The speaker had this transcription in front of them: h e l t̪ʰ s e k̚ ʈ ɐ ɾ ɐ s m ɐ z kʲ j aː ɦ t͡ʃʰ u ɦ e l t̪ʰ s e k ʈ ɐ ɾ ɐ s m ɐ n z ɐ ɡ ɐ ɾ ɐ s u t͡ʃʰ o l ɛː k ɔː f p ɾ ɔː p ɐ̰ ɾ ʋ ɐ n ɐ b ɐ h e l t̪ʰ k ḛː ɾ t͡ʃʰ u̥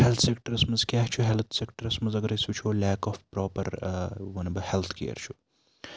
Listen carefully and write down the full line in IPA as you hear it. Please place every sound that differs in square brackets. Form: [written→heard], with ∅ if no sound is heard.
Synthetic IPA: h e l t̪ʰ s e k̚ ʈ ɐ ɾ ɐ s m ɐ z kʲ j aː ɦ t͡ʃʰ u ɦ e l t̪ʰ s e k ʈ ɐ ɾ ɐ s m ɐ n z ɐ ɡ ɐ ɾ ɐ s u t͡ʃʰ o l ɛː k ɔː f p ɾ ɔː p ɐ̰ ɾ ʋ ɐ n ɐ b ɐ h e l t̪ʰ k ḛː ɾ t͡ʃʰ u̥